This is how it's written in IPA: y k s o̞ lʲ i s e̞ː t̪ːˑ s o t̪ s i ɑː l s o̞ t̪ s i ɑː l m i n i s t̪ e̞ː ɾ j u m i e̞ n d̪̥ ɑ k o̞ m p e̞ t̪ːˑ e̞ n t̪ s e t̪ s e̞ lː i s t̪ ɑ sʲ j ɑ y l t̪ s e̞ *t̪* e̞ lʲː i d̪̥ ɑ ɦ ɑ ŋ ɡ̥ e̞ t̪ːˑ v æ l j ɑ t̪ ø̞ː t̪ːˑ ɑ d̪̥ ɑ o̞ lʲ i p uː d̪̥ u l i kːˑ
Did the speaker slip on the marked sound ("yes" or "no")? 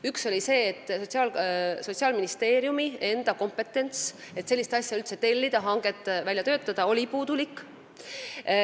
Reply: no